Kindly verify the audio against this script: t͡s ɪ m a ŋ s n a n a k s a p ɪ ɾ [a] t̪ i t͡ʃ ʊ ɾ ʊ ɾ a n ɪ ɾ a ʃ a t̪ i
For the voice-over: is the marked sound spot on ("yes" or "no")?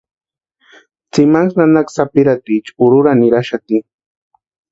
yes